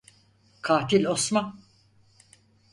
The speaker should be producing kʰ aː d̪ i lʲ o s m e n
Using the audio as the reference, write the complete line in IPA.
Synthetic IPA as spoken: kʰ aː t̪ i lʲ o s m a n